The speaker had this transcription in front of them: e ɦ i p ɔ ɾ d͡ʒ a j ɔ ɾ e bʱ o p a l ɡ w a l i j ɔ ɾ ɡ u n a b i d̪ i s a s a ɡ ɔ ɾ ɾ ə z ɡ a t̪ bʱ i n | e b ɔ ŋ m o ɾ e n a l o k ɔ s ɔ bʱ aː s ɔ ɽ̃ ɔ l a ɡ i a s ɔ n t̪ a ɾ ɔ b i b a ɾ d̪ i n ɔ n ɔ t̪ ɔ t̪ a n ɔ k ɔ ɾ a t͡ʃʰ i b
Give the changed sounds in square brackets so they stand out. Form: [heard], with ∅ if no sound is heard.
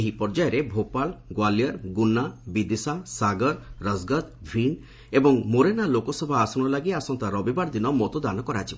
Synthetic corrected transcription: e ɦ i p ɔ ɾ d͡ʒ a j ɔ ɾ e bʱ o p a l ɡ w a l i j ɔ ɾ ɡ u n a b i d̪ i s a s a ɡ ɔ ɾ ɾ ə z ɡ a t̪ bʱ i n | e b ɔ ŋ m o ɾ e n a l o k ɔ s ɔ bʱ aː s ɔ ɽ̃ ɔ l a ɡ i a s ɔ n t̪ a ɾ ɔ b i b a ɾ d̪ i n ɔ [m] ɔ t̪ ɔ [d̪] a n ɔ k ɔ ɾ a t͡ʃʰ i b